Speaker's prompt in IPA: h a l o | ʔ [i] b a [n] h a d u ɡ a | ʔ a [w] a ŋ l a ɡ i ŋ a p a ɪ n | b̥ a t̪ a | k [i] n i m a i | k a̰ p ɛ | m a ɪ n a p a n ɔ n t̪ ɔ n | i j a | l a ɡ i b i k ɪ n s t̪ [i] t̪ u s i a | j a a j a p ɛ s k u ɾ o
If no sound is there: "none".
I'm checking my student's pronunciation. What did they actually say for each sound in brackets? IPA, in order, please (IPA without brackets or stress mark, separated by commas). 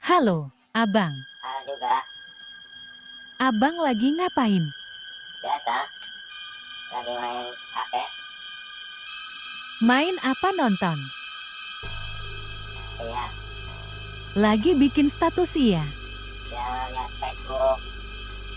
a, ŋ, b, a, a